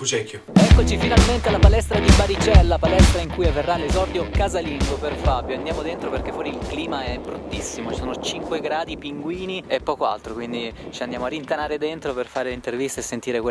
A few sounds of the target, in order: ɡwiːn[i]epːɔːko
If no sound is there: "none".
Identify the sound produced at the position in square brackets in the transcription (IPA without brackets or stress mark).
i